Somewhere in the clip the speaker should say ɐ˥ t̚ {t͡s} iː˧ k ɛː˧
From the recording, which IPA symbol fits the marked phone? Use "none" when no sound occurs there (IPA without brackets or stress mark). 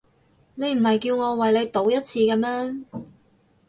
t͡sʰ